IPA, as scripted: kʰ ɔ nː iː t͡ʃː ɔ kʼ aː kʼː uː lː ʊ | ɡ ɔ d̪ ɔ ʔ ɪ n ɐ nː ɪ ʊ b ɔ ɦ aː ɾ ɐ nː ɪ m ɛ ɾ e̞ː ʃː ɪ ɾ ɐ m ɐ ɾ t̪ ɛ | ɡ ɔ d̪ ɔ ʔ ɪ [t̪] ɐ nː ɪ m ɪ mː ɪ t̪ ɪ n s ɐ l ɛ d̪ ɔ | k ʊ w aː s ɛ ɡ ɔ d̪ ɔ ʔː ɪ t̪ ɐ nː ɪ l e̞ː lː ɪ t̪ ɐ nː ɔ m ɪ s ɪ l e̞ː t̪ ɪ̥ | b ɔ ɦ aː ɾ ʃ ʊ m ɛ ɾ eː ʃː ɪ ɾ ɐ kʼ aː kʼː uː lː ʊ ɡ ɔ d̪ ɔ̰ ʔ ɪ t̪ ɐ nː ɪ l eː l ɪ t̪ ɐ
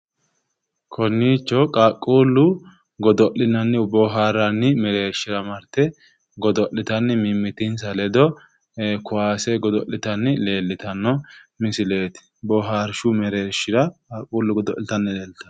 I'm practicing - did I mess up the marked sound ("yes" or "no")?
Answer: no